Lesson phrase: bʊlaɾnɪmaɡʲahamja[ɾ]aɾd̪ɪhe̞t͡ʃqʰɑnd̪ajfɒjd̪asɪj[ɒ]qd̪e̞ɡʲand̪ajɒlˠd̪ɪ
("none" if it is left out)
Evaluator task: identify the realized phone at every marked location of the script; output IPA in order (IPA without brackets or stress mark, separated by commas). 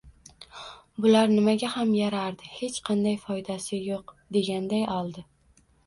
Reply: ɾ, o